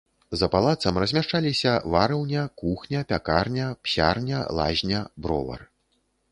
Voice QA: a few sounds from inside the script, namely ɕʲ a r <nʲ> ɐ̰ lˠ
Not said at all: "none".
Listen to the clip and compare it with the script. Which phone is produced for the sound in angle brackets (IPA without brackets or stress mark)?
nʲ